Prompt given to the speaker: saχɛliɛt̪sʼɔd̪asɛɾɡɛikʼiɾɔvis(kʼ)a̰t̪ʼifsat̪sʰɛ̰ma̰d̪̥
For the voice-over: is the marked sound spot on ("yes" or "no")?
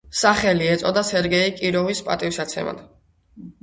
no